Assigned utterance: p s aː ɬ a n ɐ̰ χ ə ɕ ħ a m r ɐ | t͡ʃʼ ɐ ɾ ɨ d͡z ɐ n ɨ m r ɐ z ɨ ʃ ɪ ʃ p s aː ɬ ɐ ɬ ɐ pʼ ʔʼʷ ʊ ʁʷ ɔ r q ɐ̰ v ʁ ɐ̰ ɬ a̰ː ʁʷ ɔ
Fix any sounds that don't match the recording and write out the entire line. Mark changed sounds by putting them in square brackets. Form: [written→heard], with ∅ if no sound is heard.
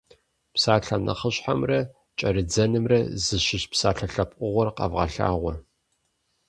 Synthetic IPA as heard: p s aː ɬ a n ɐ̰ χ ə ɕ ħ a m r ɐ | t͡ʃʼ ɐ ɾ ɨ d͡z ɐ n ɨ m r ɐ z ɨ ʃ ɪ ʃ p s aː ɬ ɐ ɬ ɐ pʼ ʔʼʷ ʊ ʁʷ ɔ r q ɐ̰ v ʁ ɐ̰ ɬ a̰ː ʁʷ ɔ